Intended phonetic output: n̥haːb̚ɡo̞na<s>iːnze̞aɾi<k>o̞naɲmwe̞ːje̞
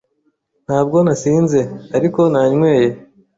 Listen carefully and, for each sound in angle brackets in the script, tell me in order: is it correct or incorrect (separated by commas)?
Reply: correct, correct